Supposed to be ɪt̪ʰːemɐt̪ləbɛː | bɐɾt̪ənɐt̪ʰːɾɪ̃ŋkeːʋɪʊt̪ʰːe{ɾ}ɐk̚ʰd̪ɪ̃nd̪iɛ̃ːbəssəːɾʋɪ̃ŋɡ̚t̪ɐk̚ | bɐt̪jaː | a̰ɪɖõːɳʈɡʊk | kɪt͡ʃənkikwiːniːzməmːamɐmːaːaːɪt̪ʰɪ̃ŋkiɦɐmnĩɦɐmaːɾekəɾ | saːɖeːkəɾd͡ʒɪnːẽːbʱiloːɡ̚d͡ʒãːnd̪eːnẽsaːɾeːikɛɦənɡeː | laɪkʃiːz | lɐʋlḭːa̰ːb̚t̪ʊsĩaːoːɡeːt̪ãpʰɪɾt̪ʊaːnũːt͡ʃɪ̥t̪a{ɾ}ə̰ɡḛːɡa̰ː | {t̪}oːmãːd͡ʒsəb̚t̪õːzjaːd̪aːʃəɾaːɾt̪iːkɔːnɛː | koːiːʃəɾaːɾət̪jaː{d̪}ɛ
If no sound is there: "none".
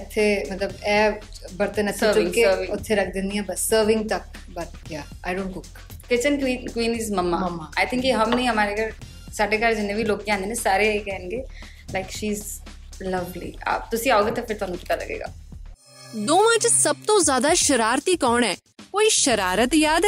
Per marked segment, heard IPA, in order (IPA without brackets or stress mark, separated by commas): ɾ, l, d̪, d̪